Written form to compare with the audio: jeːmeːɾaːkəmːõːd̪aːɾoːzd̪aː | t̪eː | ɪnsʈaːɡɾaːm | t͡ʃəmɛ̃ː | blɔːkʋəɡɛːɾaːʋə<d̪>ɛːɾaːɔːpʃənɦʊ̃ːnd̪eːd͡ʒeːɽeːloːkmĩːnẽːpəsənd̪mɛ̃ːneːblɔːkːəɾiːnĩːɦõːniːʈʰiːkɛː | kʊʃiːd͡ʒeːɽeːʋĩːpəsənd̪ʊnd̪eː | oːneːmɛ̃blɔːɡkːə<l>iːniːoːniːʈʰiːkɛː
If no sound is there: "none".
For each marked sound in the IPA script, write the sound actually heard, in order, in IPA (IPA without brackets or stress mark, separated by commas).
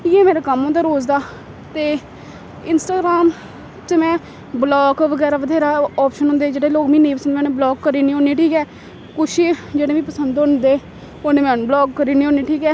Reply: d̪, ɾ